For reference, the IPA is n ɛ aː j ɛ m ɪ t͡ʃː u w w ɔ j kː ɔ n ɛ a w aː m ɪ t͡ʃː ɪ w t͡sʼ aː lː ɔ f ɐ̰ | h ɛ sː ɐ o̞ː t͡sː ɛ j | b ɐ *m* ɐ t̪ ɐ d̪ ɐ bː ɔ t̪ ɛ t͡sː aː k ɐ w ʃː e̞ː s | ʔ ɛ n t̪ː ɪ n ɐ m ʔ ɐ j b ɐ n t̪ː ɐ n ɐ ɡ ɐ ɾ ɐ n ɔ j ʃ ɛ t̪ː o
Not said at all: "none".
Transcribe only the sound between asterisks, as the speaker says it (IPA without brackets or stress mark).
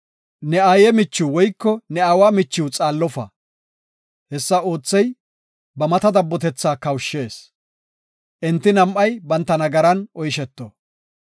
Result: m